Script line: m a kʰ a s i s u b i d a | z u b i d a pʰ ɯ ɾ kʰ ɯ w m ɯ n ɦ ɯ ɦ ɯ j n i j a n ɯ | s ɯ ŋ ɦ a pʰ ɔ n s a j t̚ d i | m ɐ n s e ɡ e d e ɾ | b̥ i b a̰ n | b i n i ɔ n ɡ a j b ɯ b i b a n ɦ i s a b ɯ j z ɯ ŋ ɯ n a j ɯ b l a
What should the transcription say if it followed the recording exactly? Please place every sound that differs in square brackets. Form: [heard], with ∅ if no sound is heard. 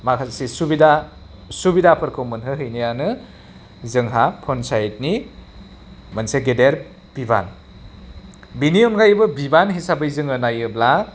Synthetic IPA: m a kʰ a s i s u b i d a | [s] u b i d a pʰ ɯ ɾ kʰ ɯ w m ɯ n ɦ ɯ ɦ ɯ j n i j a n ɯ | [z] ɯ ŋ ɦ a pʰ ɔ n s a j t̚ [n] i | m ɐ n s e ɡ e d e ɾ | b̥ i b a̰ n | b i n i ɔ n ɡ a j b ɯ b i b a n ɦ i s a b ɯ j z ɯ ŋ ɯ n a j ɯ b l a